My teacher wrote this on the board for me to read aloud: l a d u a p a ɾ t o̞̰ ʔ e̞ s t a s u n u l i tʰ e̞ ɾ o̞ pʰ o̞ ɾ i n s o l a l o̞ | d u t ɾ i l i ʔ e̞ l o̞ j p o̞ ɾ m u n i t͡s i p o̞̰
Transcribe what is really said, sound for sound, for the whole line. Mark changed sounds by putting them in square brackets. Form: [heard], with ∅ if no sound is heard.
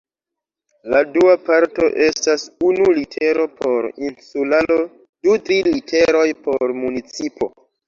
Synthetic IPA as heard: l a d u a p a ɾ t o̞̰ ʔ e̞ s t a s u n u l i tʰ e̞ ɾ o̞ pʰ o̞ ɾ i n s [u] l a l o̞ | d u t ɾ i l i [t] e̞ [ɾ] o̞ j p o̞ ɾ m u n i t͡s i p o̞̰